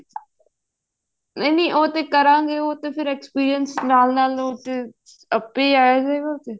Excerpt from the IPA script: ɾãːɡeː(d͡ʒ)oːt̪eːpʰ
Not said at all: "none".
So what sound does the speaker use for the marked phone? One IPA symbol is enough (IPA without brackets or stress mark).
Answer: none